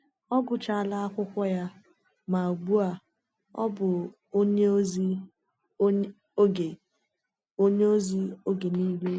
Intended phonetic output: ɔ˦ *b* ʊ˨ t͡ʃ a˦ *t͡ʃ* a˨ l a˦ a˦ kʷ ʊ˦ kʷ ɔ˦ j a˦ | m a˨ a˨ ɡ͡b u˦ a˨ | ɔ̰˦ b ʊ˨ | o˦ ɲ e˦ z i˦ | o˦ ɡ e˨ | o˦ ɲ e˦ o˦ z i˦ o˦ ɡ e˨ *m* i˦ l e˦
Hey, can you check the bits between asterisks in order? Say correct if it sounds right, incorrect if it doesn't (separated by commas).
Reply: incorrect, incorrect, incorrect